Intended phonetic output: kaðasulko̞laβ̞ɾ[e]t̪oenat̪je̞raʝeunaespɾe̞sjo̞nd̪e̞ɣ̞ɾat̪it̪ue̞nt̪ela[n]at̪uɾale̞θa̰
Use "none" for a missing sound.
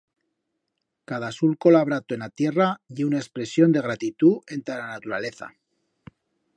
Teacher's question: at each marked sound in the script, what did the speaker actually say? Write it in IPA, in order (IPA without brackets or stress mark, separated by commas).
a, n